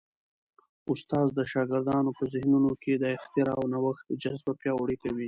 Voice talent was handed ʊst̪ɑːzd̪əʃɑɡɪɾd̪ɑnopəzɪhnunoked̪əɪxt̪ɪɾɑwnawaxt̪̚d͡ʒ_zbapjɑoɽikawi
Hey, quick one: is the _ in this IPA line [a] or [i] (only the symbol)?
a